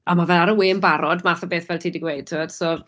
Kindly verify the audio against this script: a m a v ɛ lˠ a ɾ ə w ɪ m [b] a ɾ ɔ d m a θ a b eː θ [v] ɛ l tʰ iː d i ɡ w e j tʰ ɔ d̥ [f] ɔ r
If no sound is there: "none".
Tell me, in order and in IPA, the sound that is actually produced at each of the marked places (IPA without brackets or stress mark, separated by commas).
b, v, s